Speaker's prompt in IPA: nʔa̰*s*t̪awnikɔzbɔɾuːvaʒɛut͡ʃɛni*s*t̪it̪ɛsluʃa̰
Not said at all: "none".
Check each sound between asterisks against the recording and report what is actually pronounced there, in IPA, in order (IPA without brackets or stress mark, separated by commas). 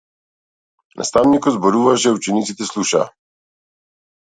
s, none